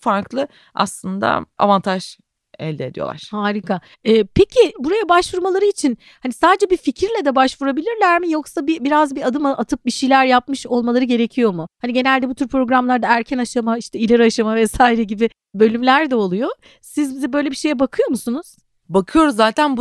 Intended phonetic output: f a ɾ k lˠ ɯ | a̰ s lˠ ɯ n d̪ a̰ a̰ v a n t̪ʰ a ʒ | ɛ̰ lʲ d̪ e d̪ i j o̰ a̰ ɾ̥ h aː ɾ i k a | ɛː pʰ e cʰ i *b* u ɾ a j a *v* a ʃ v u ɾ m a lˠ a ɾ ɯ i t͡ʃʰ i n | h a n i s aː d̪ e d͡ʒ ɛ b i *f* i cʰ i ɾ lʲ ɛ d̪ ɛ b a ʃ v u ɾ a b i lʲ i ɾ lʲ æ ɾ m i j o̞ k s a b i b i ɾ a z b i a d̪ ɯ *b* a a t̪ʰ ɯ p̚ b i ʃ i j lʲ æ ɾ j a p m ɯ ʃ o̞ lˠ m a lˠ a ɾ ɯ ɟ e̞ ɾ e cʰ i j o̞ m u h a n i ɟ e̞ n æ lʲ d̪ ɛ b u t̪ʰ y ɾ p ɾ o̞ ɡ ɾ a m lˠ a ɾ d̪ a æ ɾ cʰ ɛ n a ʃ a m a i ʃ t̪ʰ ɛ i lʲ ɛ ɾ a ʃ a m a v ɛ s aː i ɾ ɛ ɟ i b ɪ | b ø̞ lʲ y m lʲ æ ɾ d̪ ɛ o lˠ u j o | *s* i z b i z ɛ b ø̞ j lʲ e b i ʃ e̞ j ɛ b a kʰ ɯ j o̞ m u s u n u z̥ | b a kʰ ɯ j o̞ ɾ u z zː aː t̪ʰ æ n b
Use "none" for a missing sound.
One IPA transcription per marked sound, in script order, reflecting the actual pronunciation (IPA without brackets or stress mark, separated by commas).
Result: b, b, f, m, s